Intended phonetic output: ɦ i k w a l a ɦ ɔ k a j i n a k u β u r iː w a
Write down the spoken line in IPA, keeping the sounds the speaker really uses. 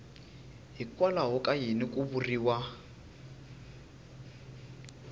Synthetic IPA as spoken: ɦ i k w a l a ɦ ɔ k a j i n i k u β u r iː w a

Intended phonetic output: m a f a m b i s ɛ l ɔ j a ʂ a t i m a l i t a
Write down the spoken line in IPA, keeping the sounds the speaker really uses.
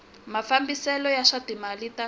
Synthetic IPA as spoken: m a f a m b i s ɛ l ɔ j a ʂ a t i m a l i t a

